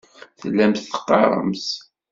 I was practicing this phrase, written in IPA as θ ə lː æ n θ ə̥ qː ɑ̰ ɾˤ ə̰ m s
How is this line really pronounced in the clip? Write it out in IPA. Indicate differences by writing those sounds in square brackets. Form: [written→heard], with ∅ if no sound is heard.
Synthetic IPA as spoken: θ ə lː æ [n→m] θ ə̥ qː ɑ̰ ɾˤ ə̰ m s